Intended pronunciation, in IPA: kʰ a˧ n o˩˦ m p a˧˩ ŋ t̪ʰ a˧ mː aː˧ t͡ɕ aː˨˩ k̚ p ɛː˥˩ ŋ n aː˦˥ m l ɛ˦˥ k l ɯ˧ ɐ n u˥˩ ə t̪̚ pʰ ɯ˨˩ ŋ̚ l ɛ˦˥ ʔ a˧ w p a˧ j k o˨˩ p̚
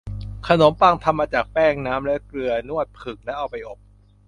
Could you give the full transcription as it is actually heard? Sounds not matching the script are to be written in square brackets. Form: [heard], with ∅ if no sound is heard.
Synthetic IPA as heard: kʰ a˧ n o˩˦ m p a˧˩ ŋ t̪ʰ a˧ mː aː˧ t͡ɕ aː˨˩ k̚ p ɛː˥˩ ŋ n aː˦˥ m l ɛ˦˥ k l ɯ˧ ɐ n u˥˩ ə t̪̚ pʰ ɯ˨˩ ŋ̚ l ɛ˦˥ ʔ a˧ w p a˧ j [ʔ] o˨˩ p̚

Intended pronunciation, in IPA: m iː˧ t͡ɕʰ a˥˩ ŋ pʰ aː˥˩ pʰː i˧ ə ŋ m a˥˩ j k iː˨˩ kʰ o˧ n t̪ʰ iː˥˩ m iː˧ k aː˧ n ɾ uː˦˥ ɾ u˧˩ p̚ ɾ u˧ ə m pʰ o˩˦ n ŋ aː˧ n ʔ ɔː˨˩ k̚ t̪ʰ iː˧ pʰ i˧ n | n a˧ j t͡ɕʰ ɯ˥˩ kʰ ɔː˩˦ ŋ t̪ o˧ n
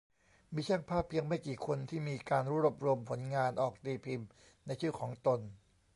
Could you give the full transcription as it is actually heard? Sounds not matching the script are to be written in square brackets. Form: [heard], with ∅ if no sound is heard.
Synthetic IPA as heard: m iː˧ t͡ɕʰ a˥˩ ŋ pʰ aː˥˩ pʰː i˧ ə ŋ m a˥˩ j k iː˨˩ kʰ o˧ n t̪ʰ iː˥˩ m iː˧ k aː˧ n ɾ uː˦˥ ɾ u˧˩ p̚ ɾ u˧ ə m pʰ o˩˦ n ŋ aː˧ n ʔ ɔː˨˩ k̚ [t̪] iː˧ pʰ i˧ [m] | n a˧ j t͡ɕʰ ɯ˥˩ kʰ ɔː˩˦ ŋ t̪ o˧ n

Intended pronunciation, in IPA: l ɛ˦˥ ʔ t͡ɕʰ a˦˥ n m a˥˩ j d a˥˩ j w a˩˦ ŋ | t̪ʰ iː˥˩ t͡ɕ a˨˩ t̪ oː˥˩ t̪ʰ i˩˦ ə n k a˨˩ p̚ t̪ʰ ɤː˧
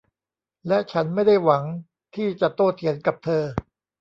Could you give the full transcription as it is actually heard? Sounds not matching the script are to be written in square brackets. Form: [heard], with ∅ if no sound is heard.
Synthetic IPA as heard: l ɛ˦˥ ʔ t͡ɕʰ a˦˥ n m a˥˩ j d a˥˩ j w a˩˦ ŋ | t̪ʰ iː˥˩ t͡ɕ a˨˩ t̪ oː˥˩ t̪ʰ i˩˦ ə n k a˨˩ p̚ t̪ʰ ɤː˧

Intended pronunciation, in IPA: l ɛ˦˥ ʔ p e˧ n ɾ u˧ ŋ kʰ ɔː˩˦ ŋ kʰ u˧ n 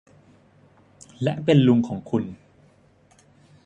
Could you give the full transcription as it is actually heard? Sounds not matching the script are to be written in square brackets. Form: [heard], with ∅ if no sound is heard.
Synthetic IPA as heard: l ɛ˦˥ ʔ p e˧ n [l] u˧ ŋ kʰ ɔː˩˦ ŋ kʰ u˧ n

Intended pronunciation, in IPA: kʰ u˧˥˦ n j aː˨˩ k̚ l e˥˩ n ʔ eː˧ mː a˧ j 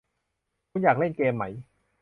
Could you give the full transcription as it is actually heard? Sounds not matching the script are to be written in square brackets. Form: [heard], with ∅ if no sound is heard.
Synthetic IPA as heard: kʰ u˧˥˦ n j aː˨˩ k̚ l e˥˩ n [k] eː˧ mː [a˦˥] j

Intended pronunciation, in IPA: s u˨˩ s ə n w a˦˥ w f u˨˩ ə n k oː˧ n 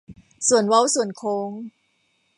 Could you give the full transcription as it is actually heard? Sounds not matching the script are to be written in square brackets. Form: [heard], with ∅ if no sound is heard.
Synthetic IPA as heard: s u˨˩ [∅] ə n w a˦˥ w [s] u˨˩ ə n [kʰ] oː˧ [ŋ]

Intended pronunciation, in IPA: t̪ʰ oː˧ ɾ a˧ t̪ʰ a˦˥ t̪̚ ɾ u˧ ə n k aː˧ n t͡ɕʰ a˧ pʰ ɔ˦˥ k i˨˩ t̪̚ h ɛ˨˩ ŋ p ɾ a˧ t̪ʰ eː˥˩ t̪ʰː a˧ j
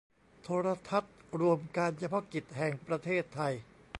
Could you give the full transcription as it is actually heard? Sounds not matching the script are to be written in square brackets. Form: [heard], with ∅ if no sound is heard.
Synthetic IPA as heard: t̪ʰ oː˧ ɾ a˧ t̪ʰ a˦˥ t̪̚ ɾ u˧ ə [m] k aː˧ n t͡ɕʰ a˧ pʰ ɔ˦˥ k i˨˩ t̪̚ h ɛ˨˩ ŋ p ɾ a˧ t̪ʰ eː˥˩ t̪ʰː a˧ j

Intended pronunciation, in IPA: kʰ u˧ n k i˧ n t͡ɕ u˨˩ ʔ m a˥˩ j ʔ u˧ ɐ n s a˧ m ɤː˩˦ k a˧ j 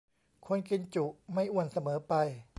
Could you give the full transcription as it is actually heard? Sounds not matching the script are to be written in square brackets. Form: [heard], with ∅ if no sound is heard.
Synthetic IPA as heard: kʰ [o˧] n k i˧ n t͡ɕ u˨˩ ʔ m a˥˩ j ʔ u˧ [ə] n s a˧ m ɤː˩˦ [p] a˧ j

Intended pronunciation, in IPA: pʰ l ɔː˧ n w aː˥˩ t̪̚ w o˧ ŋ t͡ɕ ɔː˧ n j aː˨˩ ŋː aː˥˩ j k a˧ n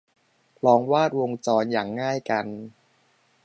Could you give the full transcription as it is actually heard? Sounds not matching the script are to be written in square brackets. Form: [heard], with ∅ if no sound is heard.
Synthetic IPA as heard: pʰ l ɔː˧ [ŋ] w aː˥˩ t̪̚ w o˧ ŋ t͡ɕ ɔː˧ n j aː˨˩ ŋː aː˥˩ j k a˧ n

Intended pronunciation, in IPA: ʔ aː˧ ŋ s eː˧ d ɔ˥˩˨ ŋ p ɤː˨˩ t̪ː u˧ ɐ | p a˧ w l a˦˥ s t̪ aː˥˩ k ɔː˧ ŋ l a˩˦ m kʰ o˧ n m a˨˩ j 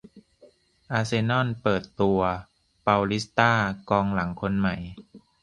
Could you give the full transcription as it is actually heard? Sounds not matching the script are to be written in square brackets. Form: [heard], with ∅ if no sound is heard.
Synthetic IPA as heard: ʔ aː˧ [∅] s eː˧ [n] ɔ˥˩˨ [n] p ɤː˨˩ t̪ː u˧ ɐ | p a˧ w l [i˦˥] s t̪ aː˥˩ k ɔː˧ ŋ l a˩˦ [ŋ] kʰ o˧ n m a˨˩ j

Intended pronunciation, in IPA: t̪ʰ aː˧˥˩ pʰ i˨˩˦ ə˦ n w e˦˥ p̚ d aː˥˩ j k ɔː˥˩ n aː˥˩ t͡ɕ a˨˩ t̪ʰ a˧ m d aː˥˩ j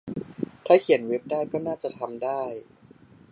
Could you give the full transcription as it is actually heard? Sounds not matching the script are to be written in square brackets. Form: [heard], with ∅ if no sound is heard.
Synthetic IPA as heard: t̪ʰ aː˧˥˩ [kʰ] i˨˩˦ ə˦ n w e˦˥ p̚ d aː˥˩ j k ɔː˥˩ n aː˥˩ t͡ɕ a˨˩ t̪ʰ a˧ m d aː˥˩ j

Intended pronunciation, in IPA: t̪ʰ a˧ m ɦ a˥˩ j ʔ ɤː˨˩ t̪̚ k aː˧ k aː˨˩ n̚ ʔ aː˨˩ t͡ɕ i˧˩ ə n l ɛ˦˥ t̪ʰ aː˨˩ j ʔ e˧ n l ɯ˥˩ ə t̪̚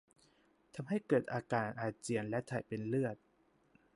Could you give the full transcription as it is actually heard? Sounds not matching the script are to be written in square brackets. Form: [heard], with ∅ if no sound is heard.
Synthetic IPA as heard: t̪ʰ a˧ m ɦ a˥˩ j [k] ɤː˨˩ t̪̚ [ʔ] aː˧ k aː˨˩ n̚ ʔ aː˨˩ t͡ɕ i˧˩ ə n l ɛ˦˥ t̪ʰ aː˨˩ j [p] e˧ n l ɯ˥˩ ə t̪̚

